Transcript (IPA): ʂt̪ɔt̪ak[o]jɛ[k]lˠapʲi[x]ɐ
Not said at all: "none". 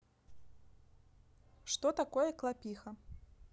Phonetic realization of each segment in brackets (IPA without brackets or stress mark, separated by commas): ɔ, k, x